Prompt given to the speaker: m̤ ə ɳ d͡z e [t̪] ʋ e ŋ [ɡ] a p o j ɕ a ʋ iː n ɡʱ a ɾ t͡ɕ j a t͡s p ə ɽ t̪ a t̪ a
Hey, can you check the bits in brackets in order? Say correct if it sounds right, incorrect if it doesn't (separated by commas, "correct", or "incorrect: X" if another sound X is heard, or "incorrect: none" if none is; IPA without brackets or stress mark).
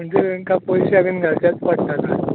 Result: incorrect: none, incorrect: k